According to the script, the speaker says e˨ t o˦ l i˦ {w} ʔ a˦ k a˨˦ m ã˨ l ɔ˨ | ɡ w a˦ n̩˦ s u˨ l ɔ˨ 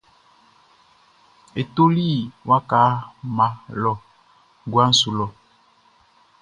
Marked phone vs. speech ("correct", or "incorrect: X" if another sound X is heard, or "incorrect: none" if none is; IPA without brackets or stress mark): correct